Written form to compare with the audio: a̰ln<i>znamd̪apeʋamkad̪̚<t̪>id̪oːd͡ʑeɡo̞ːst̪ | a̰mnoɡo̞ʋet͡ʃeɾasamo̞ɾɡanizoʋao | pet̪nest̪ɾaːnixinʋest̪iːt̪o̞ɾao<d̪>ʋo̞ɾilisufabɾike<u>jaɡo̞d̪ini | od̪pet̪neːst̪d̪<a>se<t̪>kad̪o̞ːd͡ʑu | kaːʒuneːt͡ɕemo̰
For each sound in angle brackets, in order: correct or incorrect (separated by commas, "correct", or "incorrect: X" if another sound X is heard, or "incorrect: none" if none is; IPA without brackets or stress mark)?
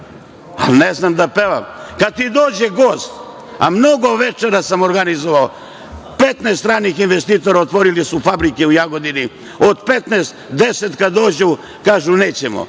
incorrect: e, correct, incorrect: t̪, correct, incorrect: e, correct